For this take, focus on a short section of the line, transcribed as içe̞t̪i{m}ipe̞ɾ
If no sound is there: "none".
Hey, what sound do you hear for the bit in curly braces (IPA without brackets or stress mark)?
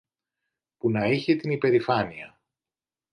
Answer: n